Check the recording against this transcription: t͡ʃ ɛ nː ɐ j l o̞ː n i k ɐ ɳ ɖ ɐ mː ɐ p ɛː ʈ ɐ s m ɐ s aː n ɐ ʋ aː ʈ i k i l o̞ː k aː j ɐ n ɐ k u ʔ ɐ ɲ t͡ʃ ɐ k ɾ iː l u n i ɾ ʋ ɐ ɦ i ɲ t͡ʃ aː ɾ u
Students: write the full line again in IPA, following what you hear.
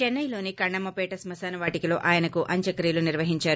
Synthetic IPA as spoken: t͡ʃ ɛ nː ɐ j l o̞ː n i k ɐ ɳ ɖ ɐ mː ɐ p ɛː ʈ ɐ s m ɐ s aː n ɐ ʋ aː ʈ i k i l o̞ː ʔ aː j ɐ n ɐ k u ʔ ɐ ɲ t͡ʃ ɐ k ɾ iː l u n i ɾ ʋ ɐ ɦ i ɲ t͡ʃ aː ɾ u